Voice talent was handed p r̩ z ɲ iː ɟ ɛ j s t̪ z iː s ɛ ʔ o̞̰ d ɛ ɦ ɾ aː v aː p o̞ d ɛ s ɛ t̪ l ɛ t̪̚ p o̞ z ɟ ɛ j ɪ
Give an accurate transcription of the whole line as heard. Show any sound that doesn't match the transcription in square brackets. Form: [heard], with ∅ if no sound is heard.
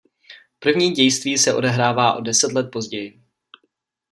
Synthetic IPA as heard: p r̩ [v] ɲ iː ɟ ɛ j s t̪ [v] iː s ɛ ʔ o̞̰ d ɛ ɦ ɾ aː v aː [ʔ] o̞ d ɛ s ɛ t̪ l ɛ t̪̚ p o̞ z ɟ ɛ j ɪ